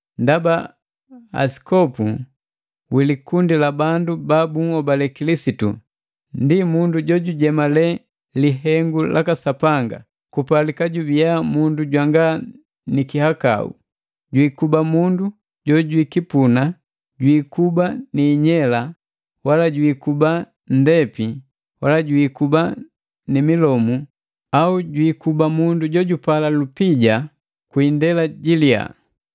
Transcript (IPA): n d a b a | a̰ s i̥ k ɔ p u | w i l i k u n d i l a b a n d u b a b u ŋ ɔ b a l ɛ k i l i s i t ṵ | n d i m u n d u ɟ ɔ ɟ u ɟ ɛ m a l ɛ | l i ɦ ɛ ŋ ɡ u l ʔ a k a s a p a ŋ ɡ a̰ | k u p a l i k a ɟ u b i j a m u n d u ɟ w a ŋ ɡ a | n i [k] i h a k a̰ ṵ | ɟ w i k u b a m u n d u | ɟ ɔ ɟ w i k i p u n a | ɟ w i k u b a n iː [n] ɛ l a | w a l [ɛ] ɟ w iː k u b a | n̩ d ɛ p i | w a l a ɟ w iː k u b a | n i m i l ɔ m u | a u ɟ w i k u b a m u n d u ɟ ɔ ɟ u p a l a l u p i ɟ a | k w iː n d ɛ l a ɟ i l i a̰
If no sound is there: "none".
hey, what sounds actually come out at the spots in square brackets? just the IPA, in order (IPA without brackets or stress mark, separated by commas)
k, ɲ, a